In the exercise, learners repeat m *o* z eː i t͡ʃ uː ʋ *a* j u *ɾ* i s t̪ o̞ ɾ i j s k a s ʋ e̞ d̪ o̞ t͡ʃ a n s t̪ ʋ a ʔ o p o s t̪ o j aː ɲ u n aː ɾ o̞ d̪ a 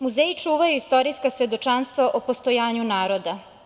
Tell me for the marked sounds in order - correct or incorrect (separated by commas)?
incorrect, correct, incorrect